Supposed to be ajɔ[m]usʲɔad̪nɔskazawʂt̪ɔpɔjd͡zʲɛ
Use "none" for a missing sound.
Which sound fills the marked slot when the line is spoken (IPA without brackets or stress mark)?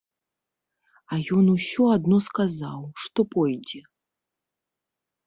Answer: n